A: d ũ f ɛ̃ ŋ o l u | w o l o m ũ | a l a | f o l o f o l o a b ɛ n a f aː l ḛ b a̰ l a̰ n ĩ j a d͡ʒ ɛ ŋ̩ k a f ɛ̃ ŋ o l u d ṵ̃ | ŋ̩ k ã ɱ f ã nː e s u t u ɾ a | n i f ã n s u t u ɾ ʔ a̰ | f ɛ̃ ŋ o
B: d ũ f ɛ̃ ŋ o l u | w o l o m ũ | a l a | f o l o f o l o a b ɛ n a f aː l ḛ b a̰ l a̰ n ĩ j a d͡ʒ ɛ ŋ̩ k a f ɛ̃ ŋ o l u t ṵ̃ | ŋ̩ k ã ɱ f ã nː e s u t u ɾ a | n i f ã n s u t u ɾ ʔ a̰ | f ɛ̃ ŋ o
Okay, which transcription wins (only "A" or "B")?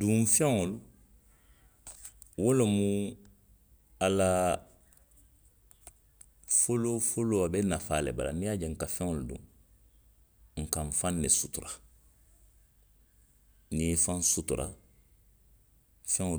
A